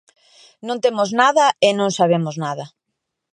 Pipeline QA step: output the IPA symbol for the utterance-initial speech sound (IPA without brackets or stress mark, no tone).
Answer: n